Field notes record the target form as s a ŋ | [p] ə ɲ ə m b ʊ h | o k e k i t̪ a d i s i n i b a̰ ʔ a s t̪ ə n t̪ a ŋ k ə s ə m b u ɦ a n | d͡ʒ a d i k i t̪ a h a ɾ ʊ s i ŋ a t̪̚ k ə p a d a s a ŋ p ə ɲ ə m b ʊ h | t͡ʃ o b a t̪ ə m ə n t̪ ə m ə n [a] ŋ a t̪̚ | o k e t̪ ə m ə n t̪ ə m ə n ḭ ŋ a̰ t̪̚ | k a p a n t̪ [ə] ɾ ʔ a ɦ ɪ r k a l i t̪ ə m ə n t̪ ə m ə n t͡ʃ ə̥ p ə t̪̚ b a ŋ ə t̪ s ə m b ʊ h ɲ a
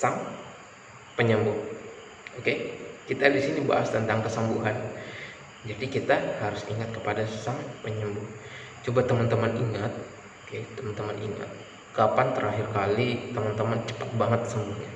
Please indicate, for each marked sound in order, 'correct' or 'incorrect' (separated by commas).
correct, incorrect, correct